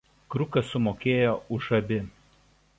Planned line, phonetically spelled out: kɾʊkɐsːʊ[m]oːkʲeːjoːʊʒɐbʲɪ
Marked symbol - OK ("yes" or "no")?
yes